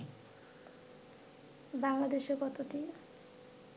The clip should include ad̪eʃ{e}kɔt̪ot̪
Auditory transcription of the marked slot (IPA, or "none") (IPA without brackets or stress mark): e